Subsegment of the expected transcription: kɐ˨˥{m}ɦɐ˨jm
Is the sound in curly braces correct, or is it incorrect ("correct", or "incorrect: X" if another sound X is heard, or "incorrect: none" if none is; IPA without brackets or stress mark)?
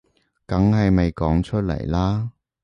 incorrect: ŋ